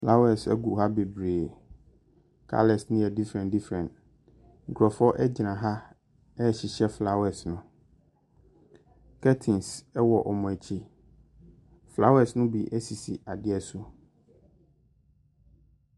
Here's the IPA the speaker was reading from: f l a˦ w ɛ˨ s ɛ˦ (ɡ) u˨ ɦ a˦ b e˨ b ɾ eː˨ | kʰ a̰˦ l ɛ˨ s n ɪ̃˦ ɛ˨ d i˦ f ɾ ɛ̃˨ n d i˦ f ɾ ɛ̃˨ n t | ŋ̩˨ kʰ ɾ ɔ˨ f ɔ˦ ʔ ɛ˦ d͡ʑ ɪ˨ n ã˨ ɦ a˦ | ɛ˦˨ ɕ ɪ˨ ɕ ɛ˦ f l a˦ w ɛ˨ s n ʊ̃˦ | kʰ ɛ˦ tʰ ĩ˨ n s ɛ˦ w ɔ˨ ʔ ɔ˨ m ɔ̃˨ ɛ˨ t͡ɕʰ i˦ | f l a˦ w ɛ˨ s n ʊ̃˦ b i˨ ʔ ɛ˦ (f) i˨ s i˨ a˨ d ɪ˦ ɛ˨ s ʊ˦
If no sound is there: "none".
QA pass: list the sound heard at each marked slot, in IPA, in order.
ɡ, s

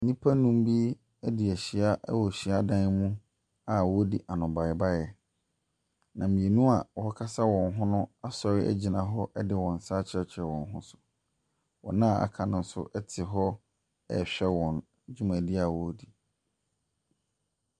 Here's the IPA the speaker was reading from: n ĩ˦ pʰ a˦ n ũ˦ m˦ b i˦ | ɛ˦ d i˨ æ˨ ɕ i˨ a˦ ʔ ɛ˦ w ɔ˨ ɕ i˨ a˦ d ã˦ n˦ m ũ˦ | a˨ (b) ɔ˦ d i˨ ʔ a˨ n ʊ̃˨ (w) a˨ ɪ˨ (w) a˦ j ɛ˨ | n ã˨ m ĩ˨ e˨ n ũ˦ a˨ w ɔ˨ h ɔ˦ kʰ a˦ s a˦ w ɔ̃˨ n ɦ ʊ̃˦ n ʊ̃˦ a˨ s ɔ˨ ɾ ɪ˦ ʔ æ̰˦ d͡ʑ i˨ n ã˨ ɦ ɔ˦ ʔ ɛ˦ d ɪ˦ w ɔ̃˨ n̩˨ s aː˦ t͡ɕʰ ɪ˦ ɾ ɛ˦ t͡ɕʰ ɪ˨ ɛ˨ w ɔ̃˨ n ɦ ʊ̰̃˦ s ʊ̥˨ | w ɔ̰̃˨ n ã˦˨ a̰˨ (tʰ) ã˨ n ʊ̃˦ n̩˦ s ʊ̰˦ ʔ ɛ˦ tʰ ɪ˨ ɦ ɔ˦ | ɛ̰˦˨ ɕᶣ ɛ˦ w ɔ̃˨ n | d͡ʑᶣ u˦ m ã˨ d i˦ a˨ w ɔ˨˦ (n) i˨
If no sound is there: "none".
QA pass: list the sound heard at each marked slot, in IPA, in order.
w, b, b, kʰ, d

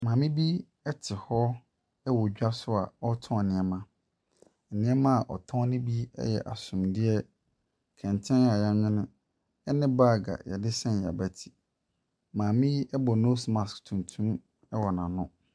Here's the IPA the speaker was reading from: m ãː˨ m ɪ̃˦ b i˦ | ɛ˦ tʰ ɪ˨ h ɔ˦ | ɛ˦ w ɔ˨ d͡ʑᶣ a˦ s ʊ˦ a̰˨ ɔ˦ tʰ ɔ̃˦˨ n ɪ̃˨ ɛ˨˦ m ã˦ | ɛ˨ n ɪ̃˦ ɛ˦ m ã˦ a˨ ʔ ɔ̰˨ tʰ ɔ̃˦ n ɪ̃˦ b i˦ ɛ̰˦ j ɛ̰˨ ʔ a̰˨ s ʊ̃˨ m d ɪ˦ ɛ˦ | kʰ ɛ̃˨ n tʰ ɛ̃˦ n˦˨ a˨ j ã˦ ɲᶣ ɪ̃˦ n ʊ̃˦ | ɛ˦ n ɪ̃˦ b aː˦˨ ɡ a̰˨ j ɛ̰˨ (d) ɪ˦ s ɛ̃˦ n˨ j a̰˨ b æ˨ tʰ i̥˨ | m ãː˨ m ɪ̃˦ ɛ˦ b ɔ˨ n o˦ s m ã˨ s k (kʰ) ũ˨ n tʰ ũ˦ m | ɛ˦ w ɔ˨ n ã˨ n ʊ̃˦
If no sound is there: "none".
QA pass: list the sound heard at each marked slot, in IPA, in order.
d, tʰ

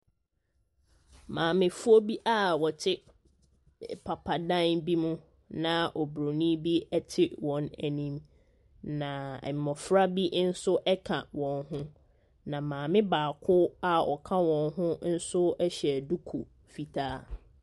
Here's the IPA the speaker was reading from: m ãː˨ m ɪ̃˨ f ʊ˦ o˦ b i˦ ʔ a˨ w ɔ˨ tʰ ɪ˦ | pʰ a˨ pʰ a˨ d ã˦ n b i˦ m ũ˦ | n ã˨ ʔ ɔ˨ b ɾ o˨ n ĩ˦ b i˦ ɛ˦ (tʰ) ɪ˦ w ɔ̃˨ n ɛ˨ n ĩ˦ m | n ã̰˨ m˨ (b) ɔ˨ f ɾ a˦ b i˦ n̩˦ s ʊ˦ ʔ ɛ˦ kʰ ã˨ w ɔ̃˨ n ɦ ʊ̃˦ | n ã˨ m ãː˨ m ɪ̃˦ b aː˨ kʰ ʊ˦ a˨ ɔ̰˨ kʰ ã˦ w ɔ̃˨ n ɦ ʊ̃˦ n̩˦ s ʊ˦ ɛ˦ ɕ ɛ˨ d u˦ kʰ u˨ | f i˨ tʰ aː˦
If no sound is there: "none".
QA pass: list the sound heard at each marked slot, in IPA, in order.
tʰ, m

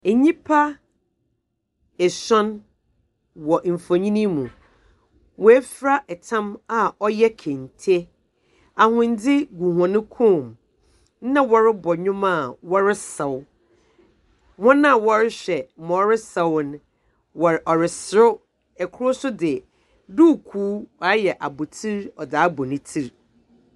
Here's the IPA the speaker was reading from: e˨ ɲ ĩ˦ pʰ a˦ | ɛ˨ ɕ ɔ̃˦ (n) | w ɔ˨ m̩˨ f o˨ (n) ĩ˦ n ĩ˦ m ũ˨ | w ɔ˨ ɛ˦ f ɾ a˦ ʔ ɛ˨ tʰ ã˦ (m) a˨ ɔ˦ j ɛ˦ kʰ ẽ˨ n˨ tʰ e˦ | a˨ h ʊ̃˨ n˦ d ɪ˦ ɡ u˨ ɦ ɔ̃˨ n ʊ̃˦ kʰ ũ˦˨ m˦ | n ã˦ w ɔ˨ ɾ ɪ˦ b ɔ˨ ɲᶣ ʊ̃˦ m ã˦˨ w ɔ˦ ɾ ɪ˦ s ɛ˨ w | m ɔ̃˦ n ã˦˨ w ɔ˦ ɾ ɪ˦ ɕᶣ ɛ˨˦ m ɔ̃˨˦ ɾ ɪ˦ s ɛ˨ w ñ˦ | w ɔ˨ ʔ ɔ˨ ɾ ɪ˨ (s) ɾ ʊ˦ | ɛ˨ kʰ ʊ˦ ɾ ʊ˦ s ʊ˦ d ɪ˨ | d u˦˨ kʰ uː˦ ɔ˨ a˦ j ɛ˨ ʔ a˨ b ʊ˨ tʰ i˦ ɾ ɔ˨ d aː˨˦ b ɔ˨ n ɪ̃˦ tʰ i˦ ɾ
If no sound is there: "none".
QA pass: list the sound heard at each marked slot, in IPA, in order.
n, ɲ, m, s

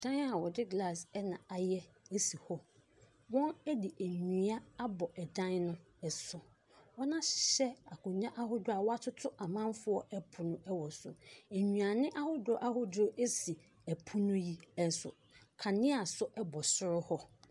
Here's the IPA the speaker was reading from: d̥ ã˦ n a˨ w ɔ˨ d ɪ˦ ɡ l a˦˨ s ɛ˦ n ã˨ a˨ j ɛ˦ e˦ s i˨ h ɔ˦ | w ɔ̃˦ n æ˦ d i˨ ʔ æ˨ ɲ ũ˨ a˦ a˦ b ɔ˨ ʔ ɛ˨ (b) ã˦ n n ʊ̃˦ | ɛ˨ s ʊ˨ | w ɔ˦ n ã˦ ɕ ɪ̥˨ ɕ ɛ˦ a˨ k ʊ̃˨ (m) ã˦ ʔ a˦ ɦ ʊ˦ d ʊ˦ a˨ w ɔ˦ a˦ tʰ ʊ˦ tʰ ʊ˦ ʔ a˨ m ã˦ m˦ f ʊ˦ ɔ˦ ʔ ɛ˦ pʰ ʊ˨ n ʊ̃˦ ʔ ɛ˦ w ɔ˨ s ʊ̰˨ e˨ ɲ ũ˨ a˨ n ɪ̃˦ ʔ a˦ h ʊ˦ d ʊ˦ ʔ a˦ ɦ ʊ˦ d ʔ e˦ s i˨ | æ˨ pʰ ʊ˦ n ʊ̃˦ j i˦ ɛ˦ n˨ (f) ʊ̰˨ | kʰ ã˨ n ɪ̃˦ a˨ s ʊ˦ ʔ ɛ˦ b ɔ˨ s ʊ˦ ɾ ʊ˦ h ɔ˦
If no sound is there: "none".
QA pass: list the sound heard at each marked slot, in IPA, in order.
d, ɲ, s

